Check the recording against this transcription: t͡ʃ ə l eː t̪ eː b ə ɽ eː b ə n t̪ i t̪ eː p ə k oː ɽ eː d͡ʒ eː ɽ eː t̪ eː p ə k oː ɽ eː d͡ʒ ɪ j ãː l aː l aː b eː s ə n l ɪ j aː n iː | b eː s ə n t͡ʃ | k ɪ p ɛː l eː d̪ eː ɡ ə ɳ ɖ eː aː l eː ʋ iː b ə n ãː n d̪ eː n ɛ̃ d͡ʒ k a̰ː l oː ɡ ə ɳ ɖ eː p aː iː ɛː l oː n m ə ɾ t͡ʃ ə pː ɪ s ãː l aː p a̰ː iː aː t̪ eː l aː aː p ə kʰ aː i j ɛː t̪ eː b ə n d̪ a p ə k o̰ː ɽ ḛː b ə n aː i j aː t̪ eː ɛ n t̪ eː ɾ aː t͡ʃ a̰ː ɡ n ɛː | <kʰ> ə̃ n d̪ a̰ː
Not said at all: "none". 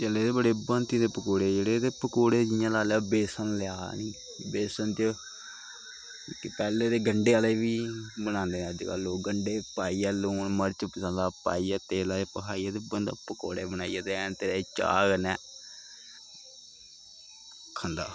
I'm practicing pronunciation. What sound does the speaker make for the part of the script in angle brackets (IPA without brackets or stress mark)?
kʰ